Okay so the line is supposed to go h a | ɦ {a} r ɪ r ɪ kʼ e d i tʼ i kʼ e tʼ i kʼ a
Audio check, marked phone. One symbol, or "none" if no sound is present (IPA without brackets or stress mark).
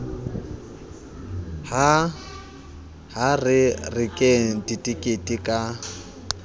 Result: a